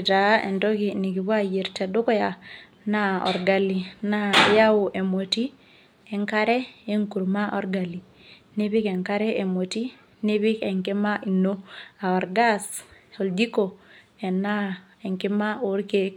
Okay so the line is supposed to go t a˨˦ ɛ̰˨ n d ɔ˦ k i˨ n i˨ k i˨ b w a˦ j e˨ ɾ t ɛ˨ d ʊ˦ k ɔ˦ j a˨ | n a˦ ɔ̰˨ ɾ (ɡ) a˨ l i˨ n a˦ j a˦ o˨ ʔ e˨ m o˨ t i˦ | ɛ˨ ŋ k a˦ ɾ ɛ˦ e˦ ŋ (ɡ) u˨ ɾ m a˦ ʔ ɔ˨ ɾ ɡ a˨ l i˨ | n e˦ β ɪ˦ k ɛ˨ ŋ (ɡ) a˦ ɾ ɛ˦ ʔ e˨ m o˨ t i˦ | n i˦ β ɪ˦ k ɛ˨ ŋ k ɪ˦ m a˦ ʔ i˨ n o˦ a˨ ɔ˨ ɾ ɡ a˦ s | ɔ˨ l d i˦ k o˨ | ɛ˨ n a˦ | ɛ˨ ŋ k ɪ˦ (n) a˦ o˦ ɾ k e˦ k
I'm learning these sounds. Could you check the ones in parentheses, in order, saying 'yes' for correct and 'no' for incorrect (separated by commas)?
yes, no, no, no